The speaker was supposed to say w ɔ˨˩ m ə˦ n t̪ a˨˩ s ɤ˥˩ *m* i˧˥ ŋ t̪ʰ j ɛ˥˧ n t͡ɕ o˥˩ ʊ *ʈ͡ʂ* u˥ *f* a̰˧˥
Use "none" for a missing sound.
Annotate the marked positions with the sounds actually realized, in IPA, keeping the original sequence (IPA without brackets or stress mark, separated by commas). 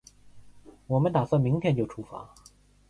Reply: m, ʈ͡ʂʰ, f